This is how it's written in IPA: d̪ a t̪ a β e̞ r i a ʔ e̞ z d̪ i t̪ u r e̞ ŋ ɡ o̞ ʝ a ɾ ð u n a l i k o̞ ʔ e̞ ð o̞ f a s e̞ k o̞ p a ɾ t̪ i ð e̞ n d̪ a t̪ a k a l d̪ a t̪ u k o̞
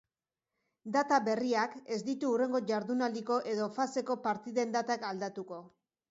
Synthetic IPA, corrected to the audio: d̪ a t̪ a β e̞ r i a k e̞ z d̪ i t̪ uː r e̞ ŋ ɡ o̞ ʝ a ɾ ð u n a l i k o̞ ʔ e̞ ð o̞ f a s e̞ k o̞ p a ɾ t̪ i ð e̞ n d̪ a t̪ a k a l d̪ a t̪ u k o̞